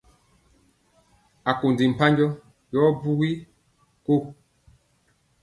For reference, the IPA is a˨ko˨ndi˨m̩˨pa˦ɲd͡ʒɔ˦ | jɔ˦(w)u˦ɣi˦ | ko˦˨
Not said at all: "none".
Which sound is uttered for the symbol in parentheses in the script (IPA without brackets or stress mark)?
b